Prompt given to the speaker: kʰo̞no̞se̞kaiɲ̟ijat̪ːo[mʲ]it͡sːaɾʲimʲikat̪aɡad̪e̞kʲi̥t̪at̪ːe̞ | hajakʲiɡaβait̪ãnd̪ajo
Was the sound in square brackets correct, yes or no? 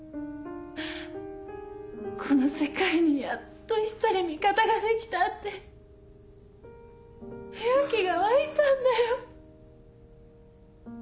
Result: no